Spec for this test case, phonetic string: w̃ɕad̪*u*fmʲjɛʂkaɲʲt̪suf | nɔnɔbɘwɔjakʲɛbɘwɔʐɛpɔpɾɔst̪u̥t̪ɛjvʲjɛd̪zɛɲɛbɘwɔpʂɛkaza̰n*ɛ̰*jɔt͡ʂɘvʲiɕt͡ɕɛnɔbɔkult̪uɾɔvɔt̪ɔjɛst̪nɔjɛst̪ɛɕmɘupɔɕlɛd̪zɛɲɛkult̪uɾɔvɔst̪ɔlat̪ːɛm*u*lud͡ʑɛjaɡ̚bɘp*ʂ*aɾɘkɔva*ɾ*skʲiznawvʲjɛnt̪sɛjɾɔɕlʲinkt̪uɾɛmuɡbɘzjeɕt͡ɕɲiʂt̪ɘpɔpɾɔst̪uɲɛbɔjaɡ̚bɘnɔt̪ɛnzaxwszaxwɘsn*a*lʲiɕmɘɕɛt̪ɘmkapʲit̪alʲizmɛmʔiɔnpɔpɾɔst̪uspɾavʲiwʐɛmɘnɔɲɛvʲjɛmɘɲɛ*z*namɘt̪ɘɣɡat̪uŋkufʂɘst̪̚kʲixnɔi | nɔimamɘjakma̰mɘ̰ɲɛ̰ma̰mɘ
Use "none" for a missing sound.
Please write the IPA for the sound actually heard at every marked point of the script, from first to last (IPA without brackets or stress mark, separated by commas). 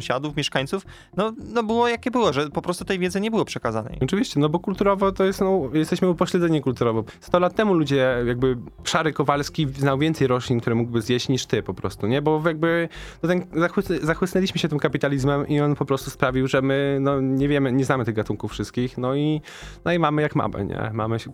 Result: u, ɛ̰, u, ʂ, l, ɛ, z